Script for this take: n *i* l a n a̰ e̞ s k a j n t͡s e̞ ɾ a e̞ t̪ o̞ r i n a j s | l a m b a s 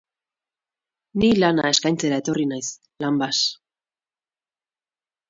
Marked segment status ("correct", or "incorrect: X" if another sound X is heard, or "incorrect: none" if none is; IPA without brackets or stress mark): correct